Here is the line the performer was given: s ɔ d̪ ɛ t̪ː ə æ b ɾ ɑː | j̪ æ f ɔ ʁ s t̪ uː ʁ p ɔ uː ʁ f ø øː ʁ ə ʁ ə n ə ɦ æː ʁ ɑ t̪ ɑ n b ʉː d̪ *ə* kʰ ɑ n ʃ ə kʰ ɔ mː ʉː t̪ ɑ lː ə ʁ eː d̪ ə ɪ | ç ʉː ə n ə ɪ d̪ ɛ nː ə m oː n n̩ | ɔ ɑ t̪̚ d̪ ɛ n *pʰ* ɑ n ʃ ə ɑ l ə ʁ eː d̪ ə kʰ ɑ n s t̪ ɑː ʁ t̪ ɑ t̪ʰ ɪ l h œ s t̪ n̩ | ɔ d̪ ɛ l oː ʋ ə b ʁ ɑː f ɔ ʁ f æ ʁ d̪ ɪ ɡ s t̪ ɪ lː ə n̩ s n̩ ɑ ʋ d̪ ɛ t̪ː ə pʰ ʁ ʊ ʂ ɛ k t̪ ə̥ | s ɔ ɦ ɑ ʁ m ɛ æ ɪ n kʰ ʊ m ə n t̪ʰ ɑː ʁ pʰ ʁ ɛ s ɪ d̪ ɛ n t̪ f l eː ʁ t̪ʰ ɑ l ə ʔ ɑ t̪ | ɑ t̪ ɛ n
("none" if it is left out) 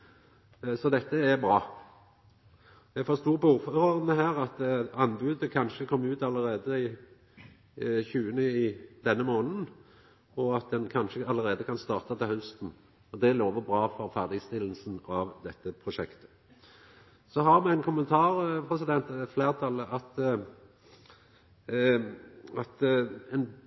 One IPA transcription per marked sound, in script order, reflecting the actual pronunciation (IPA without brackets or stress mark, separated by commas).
ə, kʰ